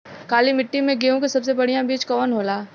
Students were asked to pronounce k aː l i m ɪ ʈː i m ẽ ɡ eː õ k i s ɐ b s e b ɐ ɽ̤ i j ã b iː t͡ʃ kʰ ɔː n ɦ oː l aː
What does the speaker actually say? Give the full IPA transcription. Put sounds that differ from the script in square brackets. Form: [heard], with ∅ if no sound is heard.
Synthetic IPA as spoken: k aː l i m ɪ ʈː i m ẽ ɡ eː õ k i s ɐ b s e b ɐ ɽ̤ i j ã b iː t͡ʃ [k] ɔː n ɦ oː l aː